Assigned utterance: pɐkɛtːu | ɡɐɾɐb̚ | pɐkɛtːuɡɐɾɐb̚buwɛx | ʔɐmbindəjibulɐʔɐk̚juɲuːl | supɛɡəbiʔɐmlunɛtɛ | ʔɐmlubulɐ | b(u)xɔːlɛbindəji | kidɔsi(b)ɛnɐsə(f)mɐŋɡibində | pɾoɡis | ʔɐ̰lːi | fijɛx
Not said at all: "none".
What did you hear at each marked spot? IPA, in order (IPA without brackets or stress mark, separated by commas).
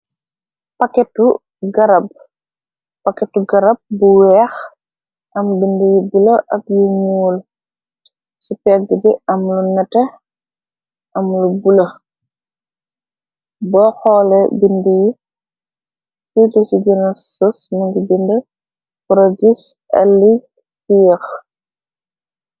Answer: ɔ, ɡ, s